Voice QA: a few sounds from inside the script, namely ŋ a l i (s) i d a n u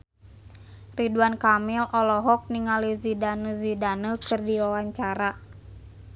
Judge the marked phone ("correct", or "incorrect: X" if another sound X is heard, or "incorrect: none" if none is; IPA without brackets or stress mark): incorrect: z